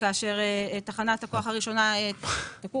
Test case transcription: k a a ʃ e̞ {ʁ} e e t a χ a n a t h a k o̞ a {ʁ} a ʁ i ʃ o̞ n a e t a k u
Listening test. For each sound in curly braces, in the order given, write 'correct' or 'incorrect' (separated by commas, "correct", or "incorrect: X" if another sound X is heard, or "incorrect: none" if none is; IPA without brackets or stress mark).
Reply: correct, incorrect: χ